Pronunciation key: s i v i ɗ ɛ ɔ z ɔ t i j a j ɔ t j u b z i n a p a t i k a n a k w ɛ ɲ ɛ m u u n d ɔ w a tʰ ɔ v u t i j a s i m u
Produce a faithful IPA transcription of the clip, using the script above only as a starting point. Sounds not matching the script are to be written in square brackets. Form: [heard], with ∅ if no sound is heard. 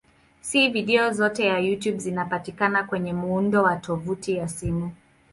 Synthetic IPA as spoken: s i v i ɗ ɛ ɔ z ɔ t [ɛ] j a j [u] t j u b z i n a p a t i k a n a k w ɛ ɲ ɛ m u u n d ɔ w a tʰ ɔ v u t i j a s i m u